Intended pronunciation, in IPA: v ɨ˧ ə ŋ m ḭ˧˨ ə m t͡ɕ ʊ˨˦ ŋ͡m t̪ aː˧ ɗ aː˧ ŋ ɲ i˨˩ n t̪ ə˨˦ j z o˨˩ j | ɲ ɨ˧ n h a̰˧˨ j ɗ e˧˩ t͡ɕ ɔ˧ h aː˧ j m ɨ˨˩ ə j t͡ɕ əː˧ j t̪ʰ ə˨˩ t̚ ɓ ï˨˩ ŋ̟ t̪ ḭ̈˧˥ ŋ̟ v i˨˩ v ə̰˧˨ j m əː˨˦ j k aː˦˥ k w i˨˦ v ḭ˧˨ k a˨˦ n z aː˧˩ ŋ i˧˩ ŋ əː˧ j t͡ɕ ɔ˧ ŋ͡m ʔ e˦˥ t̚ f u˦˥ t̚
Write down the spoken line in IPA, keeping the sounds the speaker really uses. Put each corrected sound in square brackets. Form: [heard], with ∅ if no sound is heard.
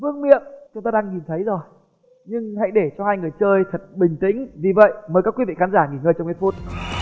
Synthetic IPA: v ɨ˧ ə ŋ m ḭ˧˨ ə m t͡ɕ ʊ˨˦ ŋ͡m t̪ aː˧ ɗ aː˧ ŋ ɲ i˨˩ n [t̪ʰ] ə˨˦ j z o˨˩ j | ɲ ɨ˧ [ŋ] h a̰˧˨ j ɗ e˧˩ t͡ɕ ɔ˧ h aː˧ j [ŋ] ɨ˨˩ ə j t͡ɕ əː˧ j t̪ʰ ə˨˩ t̚ ɓ ï˨˩ ŋ̟ t̪ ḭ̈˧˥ ŋ̟ v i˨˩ v ə̰˧˨ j m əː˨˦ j k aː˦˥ k w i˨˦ v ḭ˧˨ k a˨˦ n z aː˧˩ ŋ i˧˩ ŋ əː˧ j t͡ɕ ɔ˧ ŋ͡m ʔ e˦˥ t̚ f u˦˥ t̚